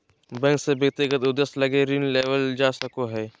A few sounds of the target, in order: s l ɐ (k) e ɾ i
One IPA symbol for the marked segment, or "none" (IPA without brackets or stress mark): ɡ